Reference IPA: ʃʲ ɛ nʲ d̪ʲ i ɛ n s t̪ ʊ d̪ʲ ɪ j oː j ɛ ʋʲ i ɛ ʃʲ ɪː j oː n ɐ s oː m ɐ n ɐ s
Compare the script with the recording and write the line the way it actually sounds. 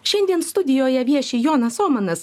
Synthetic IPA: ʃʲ ɛ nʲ d̪ʲ i ɛ n s t̪ ʊ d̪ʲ ɪ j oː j ɛ ʋʲ i ɛ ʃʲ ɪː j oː n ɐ s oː m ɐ n ɐ s